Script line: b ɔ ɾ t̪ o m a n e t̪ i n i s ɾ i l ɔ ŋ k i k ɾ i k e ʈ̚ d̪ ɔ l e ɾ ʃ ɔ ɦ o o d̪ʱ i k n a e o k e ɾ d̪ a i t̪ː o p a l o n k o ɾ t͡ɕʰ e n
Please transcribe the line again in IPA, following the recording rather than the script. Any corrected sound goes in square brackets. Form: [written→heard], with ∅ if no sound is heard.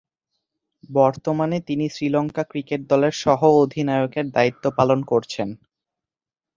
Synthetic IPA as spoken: b ɔ ɾ t̪ o m a n e t̪ i n i s ɾ i l ɔ ŋ k [i→a] k ɾ i k e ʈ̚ d̪ ɔ l e ɾ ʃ ɔ ɦ o o d̪ʱ i [k→∅] n a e o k e ɾ d̪ a i t̪ː o p a l o n k o ɾ t͡ɕʰ e n